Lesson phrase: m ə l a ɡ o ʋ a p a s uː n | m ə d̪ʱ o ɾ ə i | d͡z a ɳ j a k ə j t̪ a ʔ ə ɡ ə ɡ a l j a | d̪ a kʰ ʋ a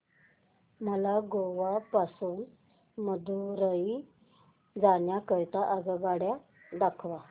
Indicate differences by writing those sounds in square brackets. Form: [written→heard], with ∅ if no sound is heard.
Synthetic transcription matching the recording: m ə l a ɡ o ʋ a p a s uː n | m ə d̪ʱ [o→u] ɾ ə i | d͡z a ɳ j a k ə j t̪ a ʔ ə ɡ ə ɡ a [l→ɽ] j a | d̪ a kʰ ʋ a